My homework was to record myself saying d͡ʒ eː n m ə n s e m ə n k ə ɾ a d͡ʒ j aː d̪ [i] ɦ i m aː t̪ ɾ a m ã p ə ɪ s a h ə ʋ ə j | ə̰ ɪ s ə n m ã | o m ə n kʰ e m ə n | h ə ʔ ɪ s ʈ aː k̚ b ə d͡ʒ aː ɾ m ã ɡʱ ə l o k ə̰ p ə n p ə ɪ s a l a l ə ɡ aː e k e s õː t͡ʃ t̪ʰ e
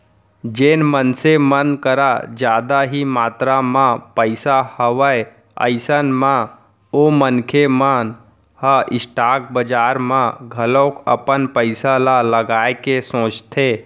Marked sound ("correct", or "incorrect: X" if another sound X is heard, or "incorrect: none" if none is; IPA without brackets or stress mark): incorrect: a